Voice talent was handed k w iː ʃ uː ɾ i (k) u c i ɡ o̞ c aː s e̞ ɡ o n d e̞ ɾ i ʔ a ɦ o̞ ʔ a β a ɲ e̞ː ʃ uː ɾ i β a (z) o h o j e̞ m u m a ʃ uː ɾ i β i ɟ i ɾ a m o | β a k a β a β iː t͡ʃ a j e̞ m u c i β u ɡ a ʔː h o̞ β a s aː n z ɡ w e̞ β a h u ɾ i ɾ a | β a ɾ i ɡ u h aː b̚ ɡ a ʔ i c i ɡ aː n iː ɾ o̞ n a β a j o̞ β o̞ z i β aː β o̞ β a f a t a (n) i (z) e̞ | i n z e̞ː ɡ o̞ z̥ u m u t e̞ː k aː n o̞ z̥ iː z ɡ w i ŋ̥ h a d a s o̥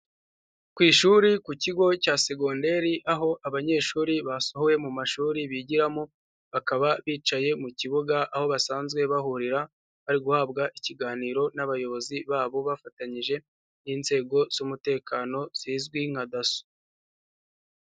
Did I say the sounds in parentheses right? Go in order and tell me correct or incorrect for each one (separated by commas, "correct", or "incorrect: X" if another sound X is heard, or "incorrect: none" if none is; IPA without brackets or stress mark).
correct, incorrect: s, incorrect: ɲ, incorrect: ʒ